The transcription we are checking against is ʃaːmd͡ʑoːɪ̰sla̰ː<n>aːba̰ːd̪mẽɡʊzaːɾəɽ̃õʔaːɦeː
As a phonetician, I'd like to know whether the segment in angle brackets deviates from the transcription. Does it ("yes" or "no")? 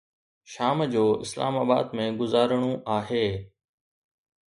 yes